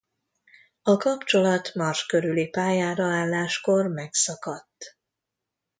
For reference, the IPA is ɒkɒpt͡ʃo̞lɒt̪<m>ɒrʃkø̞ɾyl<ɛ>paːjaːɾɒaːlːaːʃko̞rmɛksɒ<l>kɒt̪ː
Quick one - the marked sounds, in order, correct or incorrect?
correct, incorrect, incorrect

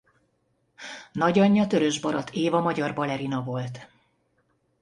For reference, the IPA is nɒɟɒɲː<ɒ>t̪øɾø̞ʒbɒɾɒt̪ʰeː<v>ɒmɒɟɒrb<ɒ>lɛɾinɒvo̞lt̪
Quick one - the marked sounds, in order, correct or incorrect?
correct, correct, correct

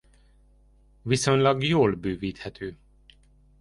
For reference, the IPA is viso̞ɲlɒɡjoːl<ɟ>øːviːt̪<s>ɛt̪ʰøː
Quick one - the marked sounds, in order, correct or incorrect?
incorrect, incorrect

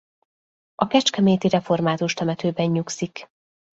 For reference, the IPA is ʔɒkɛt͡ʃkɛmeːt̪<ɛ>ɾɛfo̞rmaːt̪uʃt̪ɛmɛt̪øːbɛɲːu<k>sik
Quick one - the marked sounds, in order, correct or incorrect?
incorrect, correct

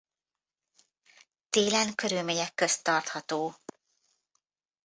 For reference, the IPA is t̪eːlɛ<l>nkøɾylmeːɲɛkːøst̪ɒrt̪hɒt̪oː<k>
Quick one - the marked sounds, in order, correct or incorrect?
incorrect, incorrect

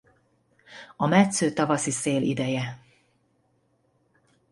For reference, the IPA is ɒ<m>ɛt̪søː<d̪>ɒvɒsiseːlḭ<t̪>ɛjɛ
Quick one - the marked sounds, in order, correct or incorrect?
correct, incorrect, incorrect

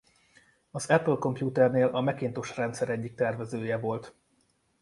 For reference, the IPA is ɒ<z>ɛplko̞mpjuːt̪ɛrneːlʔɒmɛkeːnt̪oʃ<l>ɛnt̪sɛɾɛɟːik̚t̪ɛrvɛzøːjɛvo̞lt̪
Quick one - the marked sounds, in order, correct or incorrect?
correct, incorrect

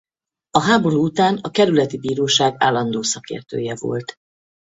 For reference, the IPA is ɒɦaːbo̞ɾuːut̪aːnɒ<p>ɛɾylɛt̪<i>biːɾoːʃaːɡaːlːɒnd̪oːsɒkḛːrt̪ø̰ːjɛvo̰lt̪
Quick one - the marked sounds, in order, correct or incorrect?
incorrect, correct

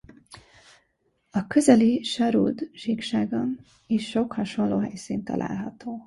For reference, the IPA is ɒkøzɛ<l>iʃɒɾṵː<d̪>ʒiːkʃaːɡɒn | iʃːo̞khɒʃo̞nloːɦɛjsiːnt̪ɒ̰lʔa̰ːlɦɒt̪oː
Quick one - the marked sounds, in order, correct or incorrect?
correct, correct

